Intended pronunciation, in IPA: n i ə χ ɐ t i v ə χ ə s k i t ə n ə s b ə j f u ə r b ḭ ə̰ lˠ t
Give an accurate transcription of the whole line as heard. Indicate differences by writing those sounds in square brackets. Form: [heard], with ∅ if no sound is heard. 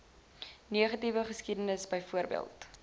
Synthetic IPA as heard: n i ə χ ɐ t i v ə χ ə s k i [d] ə n ə s b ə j f u ə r b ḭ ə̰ lˠ t